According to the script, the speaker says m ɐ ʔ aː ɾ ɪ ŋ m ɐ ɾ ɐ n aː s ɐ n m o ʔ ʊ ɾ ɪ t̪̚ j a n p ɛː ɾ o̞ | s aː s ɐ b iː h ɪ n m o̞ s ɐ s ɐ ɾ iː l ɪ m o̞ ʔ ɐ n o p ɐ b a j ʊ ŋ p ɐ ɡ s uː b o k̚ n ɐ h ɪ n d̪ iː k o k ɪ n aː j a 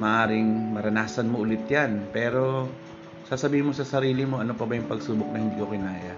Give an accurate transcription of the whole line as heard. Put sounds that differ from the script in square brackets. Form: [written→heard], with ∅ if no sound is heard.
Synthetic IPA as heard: m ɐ ʔ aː ɾ ɪ ŋ m ɐ ɾ ɐ n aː s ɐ n m o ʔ ʊ [ɾ→l] ɪ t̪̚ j a n p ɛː ɾ o̞ | s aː s ɐ b iː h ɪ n m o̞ s ɐ s ɐ ɾ iː l ɪ m o̞ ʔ ɐ n o p ɐ b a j ʊ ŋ p ɐ ɡ s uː b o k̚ n ɐ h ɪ n d̪ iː k o k ɪ n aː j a